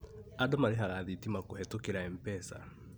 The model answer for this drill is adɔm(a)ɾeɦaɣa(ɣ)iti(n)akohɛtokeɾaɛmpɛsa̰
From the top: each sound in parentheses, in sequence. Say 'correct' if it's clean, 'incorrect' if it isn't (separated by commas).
correct, incorrect, incorrect